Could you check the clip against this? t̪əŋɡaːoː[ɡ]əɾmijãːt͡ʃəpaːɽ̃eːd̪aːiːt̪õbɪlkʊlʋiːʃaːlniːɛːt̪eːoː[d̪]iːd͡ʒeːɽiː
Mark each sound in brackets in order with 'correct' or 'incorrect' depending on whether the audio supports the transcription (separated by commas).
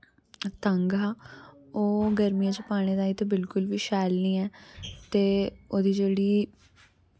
correct, correct